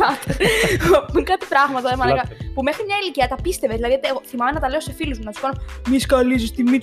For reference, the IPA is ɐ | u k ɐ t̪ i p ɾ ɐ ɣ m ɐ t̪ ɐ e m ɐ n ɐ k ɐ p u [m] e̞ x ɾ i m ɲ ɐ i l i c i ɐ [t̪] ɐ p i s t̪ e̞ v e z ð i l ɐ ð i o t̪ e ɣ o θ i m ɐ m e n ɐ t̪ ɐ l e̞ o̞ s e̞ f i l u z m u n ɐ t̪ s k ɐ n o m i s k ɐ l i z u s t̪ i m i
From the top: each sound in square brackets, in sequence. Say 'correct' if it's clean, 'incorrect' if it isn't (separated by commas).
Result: correct, correct